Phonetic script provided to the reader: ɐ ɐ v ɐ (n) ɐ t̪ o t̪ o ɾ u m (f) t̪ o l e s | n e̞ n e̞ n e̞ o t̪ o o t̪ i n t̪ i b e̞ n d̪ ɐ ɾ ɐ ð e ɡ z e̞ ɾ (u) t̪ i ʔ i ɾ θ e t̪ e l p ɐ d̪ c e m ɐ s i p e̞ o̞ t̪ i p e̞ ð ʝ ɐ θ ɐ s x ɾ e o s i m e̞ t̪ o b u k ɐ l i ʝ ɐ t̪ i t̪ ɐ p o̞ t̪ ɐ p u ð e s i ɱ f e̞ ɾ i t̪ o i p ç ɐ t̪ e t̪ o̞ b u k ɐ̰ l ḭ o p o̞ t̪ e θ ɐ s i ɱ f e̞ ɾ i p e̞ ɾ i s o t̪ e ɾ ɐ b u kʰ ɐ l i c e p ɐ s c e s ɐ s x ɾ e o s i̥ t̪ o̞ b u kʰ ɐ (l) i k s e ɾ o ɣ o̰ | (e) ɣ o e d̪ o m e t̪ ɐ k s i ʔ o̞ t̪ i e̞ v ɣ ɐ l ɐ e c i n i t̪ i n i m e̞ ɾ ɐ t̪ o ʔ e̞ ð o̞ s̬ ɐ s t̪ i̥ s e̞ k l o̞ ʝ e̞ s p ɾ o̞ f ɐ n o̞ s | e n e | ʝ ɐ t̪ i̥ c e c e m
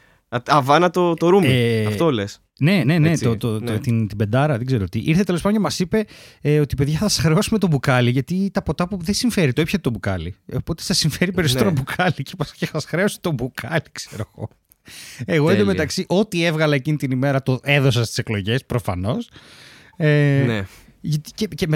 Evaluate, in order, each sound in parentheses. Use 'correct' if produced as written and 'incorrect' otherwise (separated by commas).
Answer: correct, correct, incorrect, correct, correct